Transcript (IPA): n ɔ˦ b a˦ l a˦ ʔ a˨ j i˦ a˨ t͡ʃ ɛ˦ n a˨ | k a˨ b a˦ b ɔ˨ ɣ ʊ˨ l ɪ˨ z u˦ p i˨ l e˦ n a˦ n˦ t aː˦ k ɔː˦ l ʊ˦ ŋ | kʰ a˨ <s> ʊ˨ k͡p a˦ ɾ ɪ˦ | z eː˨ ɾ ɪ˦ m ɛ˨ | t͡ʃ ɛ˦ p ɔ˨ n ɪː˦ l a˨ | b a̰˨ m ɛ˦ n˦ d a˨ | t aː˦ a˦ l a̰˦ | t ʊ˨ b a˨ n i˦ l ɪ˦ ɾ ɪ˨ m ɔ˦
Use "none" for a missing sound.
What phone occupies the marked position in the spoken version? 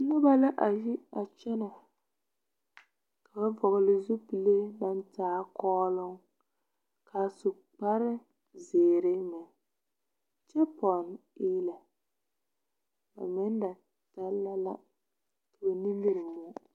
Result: s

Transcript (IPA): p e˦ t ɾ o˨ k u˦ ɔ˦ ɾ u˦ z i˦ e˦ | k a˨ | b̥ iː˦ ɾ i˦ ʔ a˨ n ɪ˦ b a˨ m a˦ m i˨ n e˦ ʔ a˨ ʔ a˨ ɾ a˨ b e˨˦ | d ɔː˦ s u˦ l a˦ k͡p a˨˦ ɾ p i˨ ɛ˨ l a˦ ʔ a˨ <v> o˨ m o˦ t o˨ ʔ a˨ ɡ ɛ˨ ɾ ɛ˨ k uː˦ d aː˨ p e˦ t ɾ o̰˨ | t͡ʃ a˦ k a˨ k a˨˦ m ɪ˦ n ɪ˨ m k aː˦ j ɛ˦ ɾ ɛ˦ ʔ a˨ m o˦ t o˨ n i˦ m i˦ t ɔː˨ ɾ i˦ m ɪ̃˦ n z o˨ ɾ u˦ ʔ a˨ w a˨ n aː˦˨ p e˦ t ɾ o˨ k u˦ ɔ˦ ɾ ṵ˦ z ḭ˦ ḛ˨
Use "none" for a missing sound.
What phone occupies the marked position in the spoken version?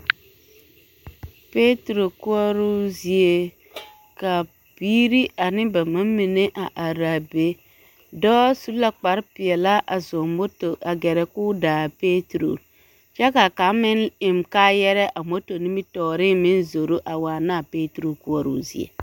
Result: z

